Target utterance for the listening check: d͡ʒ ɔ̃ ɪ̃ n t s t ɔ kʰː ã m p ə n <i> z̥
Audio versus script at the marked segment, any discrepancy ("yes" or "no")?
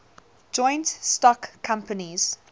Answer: no